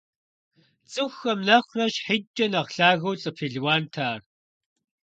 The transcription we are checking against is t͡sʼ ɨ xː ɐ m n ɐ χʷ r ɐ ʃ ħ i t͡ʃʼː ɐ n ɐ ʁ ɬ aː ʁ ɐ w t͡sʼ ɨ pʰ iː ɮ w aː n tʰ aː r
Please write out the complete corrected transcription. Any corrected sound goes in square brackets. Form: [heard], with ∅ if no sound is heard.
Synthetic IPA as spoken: t͡sʼ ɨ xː ɐ m n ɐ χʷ r ɐ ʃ ħ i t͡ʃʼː ɐ n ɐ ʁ ɬ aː [ɣ] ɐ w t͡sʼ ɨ pʰ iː ɮ w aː n tʰ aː r